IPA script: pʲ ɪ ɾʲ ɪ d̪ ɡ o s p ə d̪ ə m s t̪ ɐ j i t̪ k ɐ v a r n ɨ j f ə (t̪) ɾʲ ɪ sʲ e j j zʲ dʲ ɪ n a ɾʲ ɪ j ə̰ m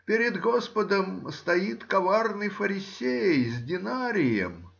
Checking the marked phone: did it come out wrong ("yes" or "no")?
yes